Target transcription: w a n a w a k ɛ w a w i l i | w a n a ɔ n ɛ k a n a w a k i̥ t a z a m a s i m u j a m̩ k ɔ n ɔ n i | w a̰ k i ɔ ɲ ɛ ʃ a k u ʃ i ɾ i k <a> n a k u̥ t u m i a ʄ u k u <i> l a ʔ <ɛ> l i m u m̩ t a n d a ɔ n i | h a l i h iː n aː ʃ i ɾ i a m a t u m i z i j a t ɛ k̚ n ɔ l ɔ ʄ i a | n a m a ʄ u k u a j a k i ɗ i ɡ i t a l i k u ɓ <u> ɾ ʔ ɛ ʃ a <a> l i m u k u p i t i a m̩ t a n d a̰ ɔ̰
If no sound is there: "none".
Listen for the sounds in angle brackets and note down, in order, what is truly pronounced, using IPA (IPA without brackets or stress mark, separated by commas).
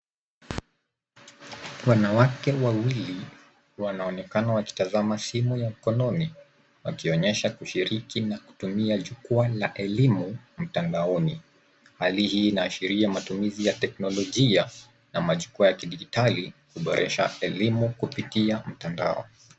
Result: i, a, ɛ, ɔ, ɛ